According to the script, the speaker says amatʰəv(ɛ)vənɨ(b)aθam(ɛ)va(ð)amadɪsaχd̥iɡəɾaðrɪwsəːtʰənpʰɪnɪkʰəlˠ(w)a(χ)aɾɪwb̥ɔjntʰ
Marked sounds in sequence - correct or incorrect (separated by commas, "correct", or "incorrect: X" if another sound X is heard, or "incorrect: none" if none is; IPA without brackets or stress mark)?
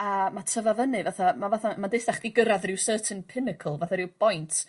incorrect: a, incorrect: v, incorrect: a, incorrect: θ, incorrect: v, incorrect: θ